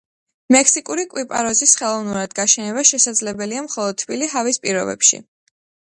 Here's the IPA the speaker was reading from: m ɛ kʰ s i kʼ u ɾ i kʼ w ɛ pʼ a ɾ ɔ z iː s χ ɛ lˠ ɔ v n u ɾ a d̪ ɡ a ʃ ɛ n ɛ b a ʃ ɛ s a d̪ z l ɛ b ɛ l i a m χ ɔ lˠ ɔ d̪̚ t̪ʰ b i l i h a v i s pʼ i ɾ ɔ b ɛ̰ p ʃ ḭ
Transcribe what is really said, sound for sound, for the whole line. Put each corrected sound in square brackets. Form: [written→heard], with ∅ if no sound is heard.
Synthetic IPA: m ɛ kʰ s i kʼ u ɾ i kʼ w [ɛ→i] pʼ a ɾ ɔ z [iː→i] s χ ɛ lˠ ɔ v n u ɾ a d̪ ɡ a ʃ ɛ n ɛ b a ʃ ɛ s a d̪ z l ɛ b ɛ l i a m χ ɔ lˠ ɔ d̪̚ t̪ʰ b i l i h a v i s pʼ i ɾ ɔ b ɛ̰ p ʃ ḭ